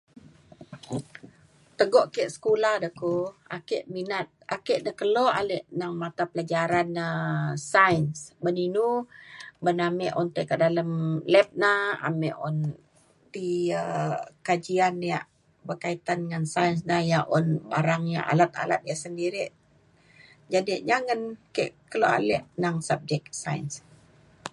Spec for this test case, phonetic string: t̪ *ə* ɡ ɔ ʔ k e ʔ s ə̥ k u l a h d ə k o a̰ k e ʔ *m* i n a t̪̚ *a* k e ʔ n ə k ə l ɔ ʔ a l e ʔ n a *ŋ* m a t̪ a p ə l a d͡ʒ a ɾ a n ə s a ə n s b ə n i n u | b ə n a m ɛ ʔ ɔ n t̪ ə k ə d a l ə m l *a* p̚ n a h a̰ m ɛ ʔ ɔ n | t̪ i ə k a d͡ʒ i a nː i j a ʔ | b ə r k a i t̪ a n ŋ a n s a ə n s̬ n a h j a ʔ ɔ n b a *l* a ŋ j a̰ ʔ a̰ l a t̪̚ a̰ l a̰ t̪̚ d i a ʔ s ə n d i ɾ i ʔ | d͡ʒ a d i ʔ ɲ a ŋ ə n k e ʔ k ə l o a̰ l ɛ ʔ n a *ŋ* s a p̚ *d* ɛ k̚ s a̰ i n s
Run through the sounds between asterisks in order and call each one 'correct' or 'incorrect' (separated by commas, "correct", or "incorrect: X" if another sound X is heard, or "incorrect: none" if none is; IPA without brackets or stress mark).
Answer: correct, correct, correct, correct, incorrect: ɛ, incorrect: ɾ, correct, incorrect: d͡ʒ